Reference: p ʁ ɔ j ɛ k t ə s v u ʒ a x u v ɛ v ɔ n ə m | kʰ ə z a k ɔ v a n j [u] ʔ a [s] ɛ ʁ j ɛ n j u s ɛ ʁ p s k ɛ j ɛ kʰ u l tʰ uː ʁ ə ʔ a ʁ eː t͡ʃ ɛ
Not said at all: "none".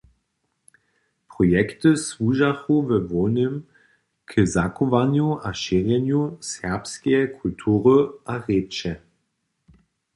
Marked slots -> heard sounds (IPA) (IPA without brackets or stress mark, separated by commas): u, ʃ